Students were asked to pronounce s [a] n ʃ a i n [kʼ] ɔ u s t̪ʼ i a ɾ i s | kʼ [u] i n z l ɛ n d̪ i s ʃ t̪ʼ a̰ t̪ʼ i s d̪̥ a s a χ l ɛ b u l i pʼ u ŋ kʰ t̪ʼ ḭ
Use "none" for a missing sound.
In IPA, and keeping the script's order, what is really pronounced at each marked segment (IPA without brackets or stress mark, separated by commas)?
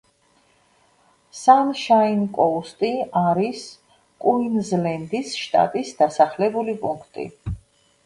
a, kʼ, u